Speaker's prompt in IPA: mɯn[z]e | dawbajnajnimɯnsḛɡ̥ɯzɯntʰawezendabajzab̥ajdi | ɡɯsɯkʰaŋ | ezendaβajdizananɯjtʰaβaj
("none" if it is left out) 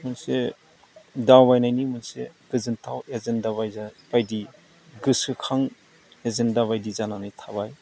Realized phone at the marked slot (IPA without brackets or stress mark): s